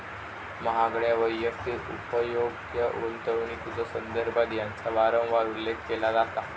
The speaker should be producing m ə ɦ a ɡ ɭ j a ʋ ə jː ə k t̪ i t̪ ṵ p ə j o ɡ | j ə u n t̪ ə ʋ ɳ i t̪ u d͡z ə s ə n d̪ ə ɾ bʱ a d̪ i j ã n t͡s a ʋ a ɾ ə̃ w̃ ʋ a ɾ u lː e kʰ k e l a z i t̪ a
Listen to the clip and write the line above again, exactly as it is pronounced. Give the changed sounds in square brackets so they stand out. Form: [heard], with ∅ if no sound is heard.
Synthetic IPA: m ə ɦ a ɡ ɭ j a ʋ ə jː ə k t̪ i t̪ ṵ p ə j o ɡ | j ə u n t̪ ə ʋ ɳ i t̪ u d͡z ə s ə n d̪ ə ɾ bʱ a d̪ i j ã n t͡s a ʋ a ɾ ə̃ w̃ ʋ a ɾ u lː e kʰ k e l a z [a] t̪ a